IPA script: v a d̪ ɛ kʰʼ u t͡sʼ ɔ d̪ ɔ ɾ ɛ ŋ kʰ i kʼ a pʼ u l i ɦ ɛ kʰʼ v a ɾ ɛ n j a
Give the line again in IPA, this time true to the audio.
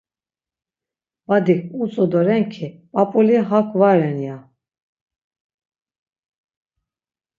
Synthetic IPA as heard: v a d̪ i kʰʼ u t͡sʼ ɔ d̪ ɔ ɾ ɛ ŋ kʰ i pʼ a pʼ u l i ɦ a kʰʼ v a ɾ ɛ n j a